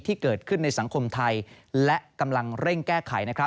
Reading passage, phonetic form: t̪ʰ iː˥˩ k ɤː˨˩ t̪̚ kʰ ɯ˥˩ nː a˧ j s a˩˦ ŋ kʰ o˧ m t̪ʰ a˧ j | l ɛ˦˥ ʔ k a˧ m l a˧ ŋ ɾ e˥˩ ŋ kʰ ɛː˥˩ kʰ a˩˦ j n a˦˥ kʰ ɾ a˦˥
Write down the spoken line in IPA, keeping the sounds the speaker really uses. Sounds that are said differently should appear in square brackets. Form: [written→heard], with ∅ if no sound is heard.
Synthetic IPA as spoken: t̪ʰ iː˥˩ k ɤː˨˩ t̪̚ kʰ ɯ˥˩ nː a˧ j s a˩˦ ŋ kʰ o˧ m t̪ʰ a˧ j | l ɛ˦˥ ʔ k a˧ m l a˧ ŋ ɾ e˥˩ ŋ [kʰ→k] ɛː˥˩ kʰ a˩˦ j n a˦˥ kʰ ɾ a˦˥